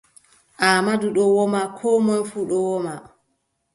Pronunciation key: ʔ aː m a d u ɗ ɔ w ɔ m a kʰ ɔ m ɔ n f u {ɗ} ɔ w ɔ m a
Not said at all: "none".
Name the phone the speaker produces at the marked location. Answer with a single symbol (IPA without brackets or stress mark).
ɗ